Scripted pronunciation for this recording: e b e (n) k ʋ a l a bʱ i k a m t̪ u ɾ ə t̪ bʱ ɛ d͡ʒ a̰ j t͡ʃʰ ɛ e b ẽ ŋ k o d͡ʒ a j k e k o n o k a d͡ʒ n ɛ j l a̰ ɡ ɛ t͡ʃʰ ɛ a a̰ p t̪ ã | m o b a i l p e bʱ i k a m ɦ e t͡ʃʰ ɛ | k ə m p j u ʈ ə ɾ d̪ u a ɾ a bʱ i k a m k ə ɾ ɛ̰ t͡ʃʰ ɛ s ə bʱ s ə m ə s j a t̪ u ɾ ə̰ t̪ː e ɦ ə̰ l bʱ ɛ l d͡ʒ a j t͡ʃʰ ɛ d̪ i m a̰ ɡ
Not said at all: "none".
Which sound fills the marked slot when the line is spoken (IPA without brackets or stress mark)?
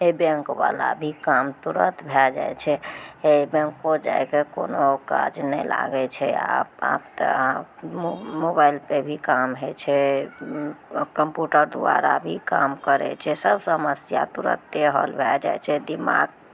ŋ